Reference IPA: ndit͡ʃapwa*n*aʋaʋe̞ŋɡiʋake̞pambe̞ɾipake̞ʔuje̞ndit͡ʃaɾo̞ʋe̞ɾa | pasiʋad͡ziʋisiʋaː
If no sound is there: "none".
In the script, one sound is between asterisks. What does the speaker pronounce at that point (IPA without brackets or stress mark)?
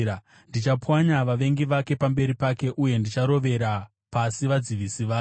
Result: ɲ